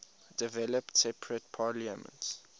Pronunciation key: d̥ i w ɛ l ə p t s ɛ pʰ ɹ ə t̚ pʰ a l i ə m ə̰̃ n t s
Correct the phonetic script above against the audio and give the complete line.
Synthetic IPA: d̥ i v ɛ l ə p t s ɛ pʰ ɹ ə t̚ pʰ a l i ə m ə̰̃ n t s